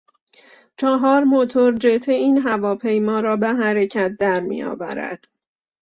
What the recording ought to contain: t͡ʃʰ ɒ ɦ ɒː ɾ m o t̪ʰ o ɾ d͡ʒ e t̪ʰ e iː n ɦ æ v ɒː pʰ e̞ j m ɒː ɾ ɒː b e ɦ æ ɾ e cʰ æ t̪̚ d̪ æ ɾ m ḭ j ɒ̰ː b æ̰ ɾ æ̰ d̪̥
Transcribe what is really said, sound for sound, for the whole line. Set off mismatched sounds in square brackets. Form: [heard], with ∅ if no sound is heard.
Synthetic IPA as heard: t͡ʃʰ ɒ ɦ ɒː ɾ m o t̪ʰ o ɾ d͡ʒ e t̪ʰ e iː n ɦ æ v ɒː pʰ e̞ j m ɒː ɾ ɒː b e ɦ æ ɾ e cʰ æ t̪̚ d̪ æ ɾ m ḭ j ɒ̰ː [v] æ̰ ɾ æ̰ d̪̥